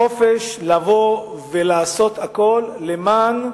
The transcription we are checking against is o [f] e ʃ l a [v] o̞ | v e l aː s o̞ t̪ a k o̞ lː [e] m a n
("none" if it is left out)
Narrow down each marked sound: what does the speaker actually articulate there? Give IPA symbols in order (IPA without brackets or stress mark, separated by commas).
f, v, e